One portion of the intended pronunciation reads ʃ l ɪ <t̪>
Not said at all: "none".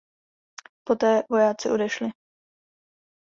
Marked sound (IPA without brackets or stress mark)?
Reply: none